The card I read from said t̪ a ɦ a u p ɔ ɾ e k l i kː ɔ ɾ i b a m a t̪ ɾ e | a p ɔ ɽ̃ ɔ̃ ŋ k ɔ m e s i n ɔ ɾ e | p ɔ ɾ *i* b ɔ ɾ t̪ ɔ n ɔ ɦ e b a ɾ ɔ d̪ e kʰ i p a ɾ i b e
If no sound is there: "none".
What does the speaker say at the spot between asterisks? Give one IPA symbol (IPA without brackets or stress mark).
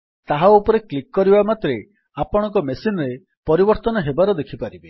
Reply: i